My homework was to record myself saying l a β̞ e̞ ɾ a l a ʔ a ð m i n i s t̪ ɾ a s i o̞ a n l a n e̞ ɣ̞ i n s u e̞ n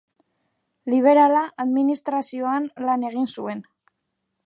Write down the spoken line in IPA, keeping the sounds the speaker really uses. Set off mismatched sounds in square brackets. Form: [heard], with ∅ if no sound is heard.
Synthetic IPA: l [i] β̞ e̞ ɾ a l a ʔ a ð m i n i s t̪ ɾ a s i o̞ a n l a n e̞ ɣ̞ i n s u e̞ n